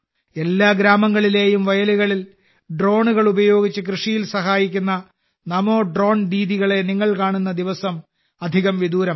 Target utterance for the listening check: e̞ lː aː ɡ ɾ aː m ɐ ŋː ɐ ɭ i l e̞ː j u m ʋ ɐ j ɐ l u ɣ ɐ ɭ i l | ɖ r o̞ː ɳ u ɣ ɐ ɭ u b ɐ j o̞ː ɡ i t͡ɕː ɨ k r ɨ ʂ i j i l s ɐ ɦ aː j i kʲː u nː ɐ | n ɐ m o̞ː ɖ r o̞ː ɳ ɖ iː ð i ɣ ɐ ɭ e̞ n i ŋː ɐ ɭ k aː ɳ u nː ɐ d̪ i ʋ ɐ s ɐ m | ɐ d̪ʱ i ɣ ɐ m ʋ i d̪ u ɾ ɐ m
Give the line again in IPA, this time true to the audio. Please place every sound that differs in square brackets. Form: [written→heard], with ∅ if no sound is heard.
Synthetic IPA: e̞ lː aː ɡ ɾ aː m ɐ ŋː ɐ ɭ i l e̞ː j u m ʋ ɐ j ɐ l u ɣ ɐ ɭ i l | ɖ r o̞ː ɳ u ɣ ɐ ɭ u b ɐ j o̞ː ɡ i t͡ɕː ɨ k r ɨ ʂ i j i l s ɐ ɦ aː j i kʲː u nː ɐ | n ɐ m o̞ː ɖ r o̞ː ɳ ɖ iː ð i ɣ ɐ ɭ e̞ n i ŋː ɐ ɭ k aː ɳ u nː ɐ d̪ i ʋ ɐ s ɐ m | ɐ d̪ʱ i ɣ ɐ m ʋ i d̪ [u→uː] ɾ ɐ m